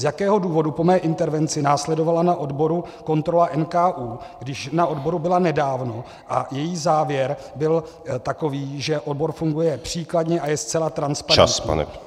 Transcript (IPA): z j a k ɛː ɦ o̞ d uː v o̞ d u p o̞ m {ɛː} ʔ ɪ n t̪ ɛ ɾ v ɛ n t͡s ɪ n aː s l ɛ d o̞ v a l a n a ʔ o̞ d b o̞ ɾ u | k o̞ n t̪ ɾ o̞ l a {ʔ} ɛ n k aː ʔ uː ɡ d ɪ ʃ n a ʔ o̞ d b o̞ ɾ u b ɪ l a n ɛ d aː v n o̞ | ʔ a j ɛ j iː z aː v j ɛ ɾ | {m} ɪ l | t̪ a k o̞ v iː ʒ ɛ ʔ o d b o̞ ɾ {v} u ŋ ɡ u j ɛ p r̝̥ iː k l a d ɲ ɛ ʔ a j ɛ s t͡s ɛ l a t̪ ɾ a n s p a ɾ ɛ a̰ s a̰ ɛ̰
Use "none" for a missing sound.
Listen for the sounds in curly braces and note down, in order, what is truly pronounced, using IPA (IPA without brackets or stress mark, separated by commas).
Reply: ɛː, ʔ, b, f